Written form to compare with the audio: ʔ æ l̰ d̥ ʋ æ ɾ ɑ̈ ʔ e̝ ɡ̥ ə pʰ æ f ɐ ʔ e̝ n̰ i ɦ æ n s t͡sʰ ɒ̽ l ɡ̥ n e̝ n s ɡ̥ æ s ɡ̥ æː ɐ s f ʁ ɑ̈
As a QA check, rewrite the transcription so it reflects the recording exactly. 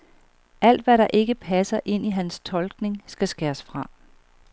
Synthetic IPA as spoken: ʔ æ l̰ d̥ ʋ æ ɾ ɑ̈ ʔ e̝ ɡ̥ ə pʰ æ s ɐ ʔ e̝ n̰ i ɦ æ n s t͡sʰ ɒ̽ l ɡ̥ n e̝ ŋ s ɡ̥ æ s ɡ̥ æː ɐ s f ʁ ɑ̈